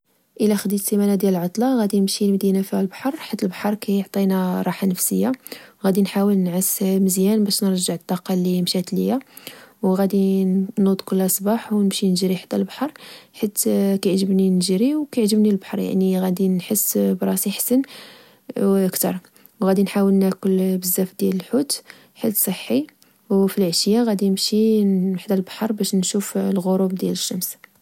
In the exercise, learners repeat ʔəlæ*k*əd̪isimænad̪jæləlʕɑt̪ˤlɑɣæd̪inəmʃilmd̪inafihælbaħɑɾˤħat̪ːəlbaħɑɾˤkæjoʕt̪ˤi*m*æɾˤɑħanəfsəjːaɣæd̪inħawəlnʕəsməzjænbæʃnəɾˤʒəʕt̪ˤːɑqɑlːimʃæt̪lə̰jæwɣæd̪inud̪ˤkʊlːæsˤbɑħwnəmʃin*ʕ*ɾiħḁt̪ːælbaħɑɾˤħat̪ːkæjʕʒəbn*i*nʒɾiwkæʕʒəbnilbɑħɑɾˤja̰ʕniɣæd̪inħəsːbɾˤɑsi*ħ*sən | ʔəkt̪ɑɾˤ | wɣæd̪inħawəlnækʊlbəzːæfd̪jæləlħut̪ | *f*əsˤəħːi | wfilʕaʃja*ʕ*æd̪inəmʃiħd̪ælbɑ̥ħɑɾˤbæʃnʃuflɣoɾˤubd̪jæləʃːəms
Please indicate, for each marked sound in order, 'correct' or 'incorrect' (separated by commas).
incorrect, incorrect, incorrect, correct, correct, incorrect, incorrect